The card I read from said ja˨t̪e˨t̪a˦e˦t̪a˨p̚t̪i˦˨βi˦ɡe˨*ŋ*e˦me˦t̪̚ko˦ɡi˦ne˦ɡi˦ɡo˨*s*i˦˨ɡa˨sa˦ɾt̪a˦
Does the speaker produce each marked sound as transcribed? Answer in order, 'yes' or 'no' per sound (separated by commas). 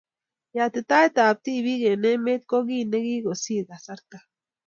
no, yes